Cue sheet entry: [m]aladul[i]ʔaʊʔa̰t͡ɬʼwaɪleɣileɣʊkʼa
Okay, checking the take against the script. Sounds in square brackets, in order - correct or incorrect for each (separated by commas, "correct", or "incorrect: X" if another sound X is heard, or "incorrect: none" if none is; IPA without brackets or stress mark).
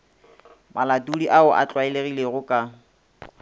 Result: correct, correct